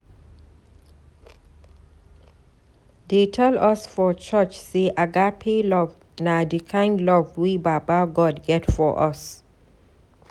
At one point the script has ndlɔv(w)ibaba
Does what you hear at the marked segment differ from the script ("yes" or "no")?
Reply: no